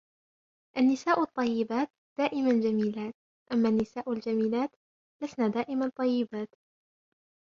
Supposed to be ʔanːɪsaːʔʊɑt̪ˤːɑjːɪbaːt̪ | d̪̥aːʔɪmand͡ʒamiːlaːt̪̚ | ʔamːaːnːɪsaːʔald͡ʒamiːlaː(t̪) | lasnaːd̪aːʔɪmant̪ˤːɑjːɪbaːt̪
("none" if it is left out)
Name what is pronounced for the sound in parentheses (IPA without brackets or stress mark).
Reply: t̪